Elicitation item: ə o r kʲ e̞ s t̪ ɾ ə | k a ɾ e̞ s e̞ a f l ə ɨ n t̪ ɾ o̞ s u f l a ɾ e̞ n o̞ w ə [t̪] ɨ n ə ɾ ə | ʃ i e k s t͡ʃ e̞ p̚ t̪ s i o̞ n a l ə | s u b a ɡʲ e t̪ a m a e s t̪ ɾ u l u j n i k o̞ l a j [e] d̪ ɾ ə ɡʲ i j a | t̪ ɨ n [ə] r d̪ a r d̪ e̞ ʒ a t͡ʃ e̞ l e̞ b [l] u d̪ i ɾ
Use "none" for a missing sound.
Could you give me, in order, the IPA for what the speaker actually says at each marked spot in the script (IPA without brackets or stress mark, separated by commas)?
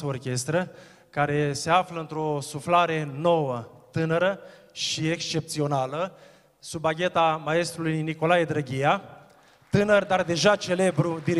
t̪, e, ə, ɾ